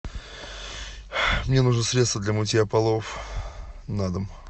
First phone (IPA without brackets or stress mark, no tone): m